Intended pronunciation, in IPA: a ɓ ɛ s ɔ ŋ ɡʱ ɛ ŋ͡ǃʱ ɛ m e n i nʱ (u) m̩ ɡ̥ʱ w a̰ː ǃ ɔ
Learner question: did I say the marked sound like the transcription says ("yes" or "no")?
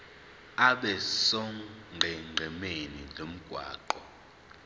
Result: no